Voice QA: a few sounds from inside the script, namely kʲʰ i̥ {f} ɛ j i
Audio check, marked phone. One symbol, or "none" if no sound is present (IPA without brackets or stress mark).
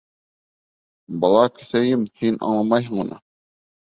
s